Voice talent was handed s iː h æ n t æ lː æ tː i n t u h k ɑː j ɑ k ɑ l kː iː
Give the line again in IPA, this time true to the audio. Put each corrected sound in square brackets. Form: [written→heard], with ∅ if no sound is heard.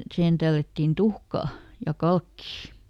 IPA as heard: s [iː→i] h [æ→e] n t æ lː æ tː i n t u h k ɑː j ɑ k ɑ l kː iː